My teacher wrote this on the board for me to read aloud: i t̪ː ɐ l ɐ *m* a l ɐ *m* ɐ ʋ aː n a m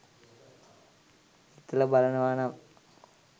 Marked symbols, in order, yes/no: no, no

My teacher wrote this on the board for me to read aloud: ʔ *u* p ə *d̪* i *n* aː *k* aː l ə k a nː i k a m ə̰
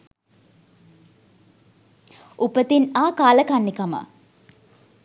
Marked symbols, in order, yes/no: yes, no, yes, yes

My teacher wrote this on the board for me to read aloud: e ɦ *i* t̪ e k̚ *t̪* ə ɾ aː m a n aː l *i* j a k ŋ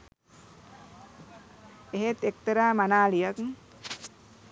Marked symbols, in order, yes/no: no, yes, yes

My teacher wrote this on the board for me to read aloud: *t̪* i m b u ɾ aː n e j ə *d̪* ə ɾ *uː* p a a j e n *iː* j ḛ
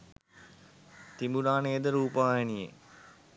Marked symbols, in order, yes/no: yes, yes, yes, no

